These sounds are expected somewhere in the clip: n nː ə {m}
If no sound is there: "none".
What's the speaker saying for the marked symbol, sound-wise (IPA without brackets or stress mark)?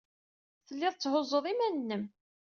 m